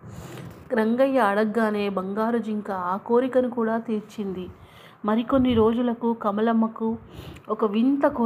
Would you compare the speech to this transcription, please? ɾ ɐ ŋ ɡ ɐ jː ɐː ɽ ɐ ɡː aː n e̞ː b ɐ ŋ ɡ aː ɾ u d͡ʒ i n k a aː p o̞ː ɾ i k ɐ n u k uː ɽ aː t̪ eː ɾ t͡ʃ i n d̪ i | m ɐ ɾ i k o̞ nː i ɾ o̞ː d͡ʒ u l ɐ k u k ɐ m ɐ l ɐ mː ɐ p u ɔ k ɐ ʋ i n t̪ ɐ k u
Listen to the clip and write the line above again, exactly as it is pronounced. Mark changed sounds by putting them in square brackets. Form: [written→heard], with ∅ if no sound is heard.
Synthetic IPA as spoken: ɾ ɐ ŋ ɡ ɐ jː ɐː ɽ ɐ ɡː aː n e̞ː b ɐ ŋ ɡ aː ɾ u d͡ʒ i [n→ŋ] k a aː [p→k] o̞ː ɾ i k ɐ n u k uː ɽ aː t̪ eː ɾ t͡ʃ i n d̪ i | m ɐ ɾ i k o̞ nː i ɾ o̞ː d͡ʒ u l ɐ k u k ɐ m ɐ l ɐ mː ɐ [p→k] u ɔ k ɐ ʋ i n t̪ ɐ k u